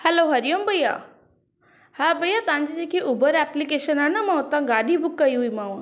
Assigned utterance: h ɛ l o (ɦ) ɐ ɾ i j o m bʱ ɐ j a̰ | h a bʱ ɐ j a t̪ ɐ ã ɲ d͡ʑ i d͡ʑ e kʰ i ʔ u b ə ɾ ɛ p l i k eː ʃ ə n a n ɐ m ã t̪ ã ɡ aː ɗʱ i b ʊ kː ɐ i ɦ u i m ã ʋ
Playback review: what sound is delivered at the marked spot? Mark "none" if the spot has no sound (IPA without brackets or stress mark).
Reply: ɦ